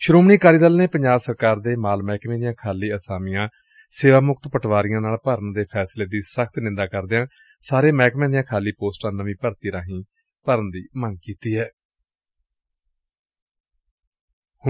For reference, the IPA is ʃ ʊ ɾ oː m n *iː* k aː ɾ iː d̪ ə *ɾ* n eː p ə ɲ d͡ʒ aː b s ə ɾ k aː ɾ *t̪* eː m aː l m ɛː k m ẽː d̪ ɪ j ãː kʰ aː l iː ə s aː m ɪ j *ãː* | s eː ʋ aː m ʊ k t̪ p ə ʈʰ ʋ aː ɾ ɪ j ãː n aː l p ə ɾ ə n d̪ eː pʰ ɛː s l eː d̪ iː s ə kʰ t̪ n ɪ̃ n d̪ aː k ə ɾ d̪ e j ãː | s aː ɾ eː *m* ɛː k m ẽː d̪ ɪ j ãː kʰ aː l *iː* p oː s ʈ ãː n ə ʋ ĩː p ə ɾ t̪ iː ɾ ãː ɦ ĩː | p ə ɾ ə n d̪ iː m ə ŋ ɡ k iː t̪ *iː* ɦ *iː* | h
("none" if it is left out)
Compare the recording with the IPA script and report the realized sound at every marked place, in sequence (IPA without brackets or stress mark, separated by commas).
iː, l, d̪, ãː, m, iː, iː, ɛː